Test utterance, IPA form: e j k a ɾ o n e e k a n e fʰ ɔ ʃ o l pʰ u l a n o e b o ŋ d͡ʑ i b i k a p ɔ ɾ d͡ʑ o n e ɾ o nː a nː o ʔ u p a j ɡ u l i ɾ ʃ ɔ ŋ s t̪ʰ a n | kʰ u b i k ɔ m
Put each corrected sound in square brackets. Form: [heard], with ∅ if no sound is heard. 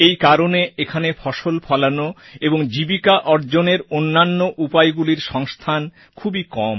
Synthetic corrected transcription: e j k a ɾ o n e e [kʰ] a n e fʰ ɔ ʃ o l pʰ [ɔ] l a n o e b o ŋ d͡ʑ i b i k a [ʔ] ɔ ɾ d͡ʑ o n e ɾ o nː a nː o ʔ u p a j ɡ u l i ɾ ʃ ɔ ŋ s t̪ʰ a n | kʰ u b i k ɔ m